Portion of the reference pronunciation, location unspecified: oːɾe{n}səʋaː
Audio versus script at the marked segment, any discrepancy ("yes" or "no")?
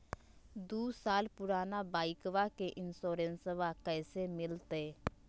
no